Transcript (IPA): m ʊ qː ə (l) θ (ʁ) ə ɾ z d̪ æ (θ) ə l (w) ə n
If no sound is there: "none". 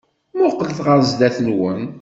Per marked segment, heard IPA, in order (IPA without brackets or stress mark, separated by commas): l, ʁ, θ, w